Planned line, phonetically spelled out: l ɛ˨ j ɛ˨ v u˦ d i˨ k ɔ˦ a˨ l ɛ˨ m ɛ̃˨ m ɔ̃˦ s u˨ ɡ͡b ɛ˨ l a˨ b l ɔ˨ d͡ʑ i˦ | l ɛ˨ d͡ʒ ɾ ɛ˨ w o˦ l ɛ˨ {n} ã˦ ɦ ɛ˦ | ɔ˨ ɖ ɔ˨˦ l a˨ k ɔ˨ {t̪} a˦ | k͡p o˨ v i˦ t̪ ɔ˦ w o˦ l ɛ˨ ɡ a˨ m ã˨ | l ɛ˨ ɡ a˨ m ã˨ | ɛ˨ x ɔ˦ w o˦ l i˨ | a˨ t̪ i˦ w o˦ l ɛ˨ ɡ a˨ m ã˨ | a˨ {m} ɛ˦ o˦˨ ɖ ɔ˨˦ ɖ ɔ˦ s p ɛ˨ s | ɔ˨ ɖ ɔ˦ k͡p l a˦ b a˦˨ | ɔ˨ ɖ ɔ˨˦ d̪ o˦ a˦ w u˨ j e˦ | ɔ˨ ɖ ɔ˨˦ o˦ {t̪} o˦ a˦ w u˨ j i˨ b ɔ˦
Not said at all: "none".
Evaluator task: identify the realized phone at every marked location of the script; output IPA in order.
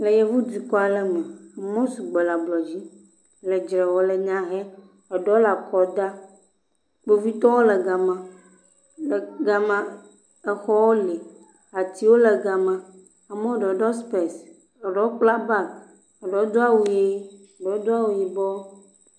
ɲ, d̪, m, d̪

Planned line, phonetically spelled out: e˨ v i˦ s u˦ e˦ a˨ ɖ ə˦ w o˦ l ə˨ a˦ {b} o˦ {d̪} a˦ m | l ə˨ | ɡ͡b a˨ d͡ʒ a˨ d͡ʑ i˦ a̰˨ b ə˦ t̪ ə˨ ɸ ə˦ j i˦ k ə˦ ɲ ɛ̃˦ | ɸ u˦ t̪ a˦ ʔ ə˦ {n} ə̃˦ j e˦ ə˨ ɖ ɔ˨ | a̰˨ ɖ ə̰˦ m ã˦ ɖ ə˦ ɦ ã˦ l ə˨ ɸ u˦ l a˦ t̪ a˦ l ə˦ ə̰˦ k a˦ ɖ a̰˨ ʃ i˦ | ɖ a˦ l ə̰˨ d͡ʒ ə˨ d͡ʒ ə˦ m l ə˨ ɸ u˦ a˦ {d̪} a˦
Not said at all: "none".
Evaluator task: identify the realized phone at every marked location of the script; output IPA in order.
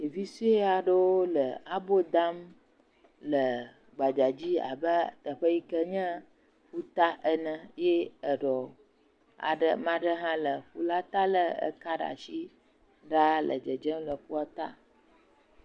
b, d̪, n, t̪

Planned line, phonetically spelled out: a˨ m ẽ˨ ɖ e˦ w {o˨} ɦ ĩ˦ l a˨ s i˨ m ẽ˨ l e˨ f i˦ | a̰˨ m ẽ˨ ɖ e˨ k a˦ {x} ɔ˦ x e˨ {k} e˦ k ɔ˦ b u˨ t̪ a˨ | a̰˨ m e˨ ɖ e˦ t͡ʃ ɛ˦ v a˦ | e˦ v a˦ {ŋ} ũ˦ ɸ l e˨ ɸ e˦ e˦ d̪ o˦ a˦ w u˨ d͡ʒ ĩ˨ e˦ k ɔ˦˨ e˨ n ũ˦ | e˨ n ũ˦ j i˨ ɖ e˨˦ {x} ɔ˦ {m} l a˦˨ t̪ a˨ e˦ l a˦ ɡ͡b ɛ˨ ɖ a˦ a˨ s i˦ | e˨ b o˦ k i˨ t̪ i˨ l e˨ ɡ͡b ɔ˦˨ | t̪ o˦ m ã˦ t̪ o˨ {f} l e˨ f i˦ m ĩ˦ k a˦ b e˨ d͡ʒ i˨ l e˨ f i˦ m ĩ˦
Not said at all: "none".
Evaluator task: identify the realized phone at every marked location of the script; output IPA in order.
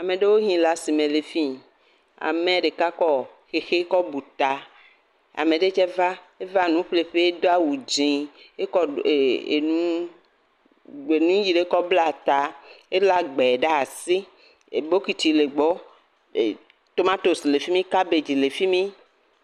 o˦, k, x, n, k, b, s

